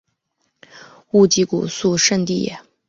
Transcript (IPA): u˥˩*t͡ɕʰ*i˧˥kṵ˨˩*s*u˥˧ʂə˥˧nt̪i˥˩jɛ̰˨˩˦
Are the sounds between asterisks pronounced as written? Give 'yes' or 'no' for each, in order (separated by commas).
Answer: no, yes